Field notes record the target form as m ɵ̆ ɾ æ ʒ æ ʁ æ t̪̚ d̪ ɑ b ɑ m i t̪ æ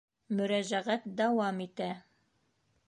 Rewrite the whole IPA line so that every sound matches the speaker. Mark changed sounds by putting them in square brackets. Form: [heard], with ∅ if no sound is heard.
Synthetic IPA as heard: m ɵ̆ ɾ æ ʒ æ ʁ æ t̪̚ d̪ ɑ [w] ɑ m i t̪ æ